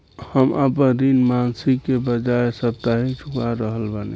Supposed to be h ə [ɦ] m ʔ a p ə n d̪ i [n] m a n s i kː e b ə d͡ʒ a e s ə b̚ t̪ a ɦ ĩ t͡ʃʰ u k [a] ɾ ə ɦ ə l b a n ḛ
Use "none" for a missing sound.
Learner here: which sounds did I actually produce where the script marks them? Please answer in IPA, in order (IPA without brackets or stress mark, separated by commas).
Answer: none, n, a